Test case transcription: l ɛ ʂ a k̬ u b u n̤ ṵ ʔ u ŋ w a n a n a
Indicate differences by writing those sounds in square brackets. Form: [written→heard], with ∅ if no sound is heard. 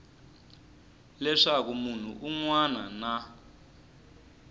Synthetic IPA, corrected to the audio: l ɛ ʂ a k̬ u [b→m] u n̤ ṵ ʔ u ŋ w a n a n a